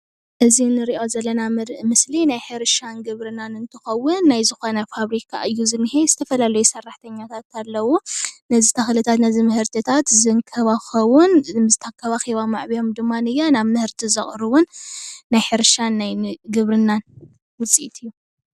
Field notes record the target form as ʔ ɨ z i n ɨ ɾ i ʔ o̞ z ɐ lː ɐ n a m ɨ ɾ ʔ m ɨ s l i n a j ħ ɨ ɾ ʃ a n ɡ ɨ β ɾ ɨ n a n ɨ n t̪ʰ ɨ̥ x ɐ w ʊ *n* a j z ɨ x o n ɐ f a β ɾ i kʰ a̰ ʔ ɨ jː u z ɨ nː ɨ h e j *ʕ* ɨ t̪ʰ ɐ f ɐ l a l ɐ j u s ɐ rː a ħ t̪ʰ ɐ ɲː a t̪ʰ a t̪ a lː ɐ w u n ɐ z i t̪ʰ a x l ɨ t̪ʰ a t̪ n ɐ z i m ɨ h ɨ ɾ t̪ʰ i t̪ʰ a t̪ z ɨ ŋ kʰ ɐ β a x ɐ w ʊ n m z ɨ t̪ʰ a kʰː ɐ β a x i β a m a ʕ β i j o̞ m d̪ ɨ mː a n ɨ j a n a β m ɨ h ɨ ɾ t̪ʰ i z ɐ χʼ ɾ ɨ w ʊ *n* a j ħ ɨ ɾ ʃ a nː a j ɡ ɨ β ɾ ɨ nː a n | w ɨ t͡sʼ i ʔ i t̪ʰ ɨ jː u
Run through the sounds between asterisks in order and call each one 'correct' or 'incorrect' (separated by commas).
incorrect, incorrect, incorrect